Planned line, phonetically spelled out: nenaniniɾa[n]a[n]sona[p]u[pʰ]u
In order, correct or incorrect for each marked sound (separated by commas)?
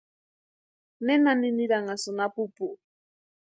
incorrect, incorrect, correct, incorrect